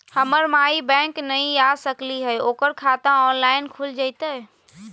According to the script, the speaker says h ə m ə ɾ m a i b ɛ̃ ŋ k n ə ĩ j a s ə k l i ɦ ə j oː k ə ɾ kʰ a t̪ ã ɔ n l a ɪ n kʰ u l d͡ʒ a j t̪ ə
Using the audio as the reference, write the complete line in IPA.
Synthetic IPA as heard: h ə m ə ɾ m a i b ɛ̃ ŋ k n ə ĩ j a s ə k l i ɦ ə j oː k ə ɾ kʰ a t̪ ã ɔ n l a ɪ n kʰ u l d͡ʒ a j t̪ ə